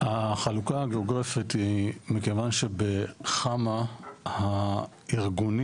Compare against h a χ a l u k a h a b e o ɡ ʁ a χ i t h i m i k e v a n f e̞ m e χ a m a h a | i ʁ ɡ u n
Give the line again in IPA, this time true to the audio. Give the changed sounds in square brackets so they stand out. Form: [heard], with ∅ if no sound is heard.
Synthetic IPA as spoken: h a χ a l u k a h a [ɡ] e o ɡ ʁ a [f] i t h i m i k e v a n [ʃ] e̞ [b] e χ a m a h a | i ʁ ɡ u n